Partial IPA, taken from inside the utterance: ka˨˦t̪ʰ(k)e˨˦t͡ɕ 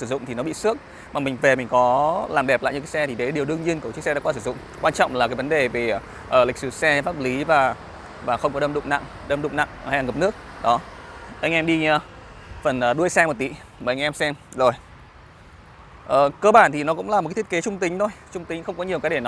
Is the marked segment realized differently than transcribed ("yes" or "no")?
no